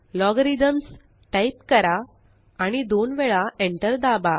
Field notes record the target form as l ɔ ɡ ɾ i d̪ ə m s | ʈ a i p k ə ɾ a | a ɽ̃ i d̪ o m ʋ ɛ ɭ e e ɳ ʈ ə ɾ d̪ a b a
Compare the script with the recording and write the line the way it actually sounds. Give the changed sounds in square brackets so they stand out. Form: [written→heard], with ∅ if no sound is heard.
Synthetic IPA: l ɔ ɡ ɾ i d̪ ə m s | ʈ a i p k ə ɾ a | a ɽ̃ i d̪ o [m→n] ʋ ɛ ɭ [e→a] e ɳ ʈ ə ɾ d̪ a b a